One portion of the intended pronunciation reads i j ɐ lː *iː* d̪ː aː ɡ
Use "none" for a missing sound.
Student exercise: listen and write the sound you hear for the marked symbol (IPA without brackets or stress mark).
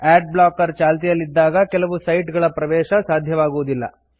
i